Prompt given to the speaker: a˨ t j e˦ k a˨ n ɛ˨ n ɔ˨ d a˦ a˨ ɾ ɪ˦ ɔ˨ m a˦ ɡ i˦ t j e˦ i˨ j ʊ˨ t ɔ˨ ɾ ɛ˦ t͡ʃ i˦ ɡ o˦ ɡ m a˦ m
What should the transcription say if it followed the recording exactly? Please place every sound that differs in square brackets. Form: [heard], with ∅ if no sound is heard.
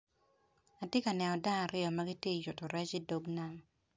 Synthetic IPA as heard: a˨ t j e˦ k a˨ n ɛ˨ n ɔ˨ d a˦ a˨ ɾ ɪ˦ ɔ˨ m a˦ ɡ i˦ t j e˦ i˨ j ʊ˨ t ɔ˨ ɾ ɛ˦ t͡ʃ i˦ [d] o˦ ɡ [n] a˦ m